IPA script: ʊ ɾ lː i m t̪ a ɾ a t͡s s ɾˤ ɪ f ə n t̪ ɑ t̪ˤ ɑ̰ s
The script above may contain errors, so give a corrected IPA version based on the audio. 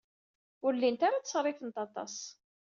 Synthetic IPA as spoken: ʊ ɾ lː i n t̪ a ɾ a t͡s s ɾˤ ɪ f ə n t̪ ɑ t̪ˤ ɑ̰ s